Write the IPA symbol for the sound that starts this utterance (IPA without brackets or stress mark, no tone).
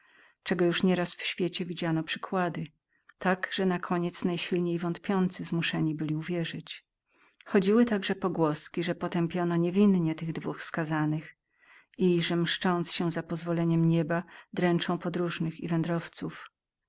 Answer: t͡ʂ